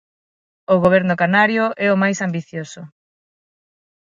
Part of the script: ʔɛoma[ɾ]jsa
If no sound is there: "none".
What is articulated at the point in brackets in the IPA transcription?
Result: none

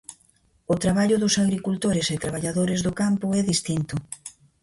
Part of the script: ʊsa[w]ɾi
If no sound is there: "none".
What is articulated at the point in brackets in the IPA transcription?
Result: ɣ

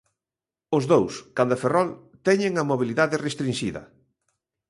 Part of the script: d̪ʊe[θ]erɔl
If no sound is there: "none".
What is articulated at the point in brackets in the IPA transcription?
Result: f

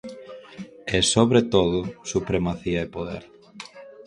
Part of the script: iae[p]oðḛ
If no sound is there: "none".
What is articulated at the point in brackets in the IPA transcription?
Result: p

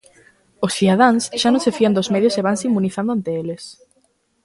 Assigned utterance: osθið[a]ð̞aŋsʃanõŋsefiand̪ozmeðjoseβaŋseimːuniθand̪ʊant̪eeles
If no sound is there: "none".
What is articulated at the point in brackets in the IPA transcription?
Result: a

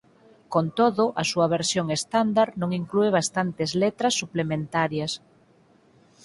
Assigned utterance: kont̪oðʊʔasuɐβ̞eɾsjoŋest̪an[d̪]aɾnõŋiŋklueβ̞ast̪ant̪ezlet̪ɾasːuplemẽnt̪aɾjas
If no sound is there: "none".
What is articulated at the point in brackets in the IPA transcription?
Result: d̪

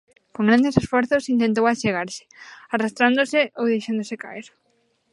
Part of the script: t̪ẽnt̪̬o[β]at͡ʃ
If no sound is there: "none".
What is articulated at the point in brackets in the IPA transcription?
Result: w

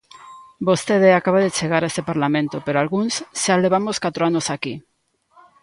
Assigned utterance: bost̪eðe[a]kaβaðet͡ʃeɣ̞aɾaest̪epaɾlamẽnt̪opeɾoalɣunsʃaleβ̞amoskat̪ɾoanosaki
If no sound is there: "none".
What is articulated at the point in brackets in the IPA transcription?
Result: a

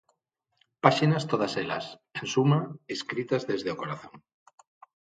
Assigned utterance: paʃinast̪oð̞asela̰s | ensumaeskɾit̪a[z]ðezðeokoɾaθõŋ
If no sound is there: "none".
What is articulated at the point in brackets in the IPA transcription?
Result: z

